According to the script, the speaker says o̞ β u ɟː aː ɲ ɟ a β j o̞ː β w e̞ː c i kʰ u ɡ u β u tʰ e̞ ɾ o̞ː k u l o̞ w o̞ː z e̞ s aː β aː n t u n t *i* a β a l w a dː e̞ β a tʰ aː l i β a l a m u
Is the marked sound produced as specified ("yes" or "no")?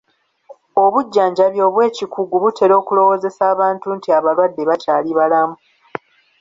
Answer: yes